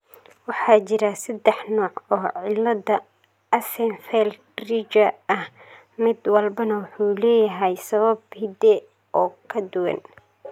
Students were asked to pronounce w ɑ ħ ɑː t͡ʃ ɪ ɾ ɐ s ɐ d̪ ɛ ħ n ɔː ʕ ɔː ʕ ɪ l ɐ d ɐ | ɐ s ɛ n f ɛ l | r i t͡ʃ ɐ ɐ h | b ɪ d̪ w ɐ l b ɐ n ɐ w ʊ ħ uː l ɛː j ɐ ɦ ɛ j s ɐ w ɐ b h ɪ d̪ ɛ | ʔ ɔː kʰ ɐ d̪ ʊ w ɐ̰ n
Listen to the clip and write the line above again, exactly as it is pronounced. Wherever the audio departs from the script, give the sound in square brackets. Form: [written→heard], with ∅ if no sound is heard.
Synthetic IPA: w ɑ ħ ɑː t͡ʃ ɪ ɾ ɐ s ɐ d̪ ɛ ħ n ɔː ʕ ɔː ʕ ɪ l ɐ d ɐ | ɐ s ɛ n f ɛ l | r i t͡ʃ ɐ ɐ h | [b→m] ɪ d̪ w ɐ l b ɐ n ɐ w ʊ ħ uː l ɛː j ɐ ɦ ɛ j s ɐ [w→β] ɐ b h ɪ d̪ ɛ | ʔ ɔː kʰ ɐ d̪ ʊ w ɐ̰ n